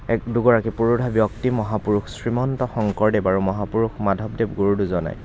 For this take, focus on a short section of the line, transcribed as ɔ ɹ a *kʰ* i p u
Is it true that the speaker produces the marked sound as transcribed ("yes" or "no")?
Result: no